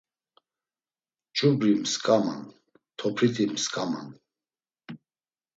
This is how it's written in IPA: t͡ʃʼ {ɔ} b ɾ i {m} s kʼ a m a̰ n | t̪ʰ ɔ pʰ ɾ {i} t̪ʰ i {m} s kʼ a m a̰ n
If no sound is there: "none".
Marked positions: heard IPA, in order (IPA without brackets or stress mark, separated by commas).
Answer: u, m, i, m